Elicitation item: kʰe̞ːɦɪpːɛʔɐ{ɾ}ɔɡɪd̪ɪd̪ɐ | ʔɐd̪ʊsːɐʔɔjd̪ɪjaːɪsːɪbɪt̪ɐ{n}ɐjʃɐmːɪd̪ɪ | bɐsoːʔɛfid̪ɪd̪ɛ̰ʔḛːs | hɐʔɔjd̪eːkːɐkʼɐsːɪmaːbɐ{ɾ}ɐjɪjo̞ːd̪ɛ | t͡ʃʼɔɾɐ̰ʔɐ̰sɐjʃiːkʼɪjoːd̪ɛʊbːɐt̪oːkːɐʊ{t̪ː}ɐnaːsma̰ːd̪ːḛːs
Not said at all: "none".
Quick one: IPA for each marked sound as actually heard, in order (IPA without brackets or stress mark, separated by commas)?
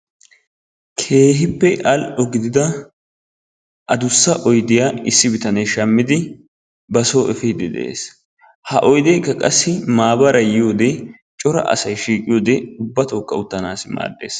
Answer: l, n, ɾ, t̪ː